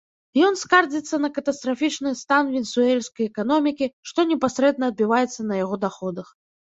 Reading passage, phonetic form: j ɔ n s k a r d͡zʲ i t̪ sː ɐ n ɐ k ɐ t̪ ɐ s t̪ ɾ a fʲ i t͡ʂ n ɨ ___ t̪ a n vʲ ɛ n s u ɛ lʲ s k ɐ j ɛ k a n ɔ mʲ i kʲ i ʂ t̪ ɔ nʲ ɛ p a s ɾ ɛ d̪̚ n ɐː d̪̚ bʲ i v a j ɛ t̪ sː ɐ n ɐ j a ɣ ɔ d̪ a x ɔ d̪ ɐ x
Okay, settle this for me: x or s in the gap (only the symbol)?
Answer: s